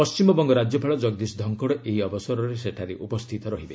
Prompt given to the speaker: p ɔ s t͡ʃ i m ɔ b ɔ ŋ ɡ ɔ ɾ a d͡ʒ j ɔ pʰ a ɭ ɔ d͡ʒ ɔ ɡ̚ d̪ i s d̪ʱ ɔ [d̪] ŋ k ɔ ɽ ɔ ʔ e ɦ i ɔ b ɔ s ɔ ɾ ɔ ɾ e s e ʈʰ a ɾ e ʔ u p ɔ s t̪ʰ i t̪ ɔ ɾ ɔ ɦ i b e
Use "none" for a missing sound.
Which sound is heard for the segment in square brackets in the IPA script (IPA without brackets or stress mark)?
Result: none